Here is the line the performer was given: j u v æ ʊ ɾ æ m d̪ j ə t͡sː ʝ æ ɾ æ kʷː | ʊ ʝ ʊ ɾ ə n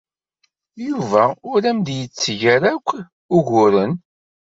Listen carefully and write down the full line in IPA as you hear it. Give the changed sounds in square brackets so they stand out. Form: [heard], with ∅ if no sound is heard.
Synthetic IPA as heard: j u v æ ʊ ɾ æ m d̪ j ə t͡sː ʝ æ ɾ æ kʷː | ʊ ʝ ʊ ɾ ə n